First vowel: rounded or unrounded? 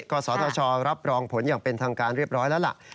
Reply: rounded